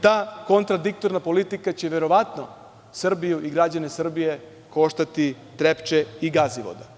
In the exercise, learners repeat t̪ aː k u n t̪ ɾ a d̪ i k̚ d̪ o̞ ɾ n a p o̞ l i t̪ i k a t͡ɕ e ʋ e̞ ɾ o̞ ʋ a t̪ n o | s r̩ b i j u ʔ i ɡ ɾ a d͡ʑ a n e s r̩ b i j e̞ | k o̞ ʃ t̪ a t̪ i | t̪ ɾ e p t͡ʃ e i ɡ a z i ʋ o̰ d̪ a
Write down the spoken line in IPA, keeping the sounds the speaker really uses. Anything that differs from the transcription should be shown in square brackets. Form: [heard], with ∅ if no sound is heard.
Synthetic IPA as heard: t̪ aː k [o] n t̪ ɾ a d̪ i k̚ [t̪] o̞ ɾ n a p o̞ l i t̪ i k a t͡ɕ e ʋ e̞ ɾ o̞ ʋ a t̪ n o | s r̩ b i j u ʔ i ɡ ɾ a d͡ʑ a n e s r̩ b i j e̞ | k o̞ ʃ t̪ a t̪ i | t̪ ɾ e p t͡ʃ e i ɡ a z i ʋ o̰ d̪ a